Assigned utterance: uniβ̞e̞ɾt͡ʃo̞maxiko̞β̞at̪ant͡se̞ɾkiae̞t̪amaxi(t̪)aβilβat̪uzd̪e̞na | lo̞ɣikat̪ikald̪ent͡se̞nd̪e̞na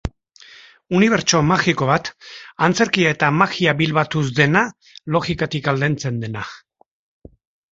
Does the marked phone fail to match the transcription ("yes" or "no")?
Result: yes